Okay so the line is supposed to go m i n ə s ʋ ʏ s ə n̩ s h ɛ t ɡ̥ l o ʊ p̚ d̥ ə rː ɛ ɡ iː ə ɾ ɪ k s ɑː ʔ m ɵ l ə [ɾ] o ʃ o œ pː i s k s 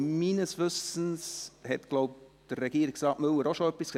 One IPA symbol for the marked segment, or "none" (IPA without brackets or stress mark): ɾ